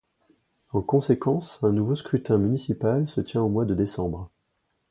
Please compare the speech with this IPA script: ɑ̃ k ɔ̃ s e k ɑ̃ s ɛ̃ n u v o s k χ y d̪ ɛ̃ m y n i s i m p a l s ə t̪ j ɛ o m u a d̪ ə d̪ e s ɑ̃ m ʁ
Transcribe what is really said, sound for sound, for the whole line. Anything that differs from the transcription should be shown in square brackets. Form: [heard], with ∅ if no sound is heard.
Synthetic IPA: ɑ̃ k ɔ̃ s e k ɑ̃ s ɛ̃ n u v o s k χ y [t̪] ɛ̃ m y n i s i [∅] p a l s ə t̪ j [ɛ̃] o m [w] a d̪ ə d̪ e s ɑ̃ [b] ʁ